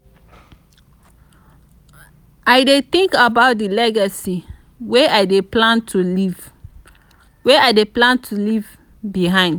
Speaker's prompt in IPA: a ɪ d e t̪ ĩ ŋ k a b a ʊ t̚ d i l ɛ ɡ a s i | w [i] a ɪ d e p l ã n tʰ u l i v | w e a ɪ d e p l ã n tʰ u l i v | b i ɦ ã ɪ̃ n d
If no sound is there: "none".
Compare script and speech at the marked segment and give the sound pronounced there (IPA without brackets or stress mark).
e